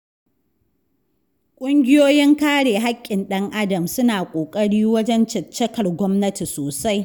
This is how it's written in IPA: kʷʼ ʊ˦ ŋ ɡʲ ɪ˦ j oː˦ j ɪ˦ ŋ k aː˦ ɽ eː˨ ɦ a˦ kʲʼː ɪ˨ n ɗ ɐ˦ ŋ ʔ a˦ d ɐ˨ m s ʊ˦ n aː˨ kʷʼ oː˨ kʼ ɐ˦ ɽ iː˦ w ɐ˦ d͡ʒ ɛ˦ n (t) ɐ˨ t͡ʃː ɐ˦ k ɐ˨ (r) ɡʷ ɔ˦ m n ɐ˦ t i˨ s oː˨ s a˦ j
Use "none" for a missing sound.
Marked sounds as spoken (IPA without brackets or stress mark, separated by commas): t͡ʃ, r